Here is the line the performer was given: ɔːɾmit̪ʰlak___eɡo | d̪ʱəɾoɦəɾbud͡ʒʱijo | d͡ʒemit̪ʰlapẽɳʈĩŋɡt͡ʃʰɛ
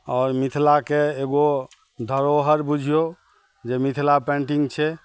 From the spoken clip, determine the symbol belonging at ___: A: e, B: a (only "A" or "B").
A